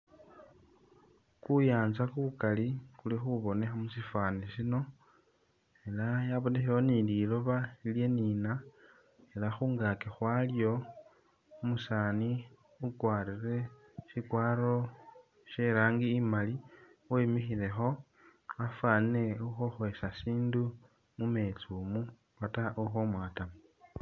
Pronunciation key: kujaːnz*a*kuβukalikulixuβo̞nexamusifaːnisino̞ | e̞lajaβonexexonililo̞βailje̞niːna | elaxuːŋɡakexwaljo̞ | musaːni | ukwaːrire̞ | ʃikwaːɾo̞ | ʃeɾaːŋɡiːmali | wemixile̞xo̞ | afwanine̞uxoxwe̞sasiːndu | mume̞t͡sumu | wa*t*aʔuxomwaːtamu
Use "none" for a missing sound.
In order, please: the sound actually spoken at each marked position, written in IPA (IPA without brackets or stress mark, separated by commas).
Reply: a, t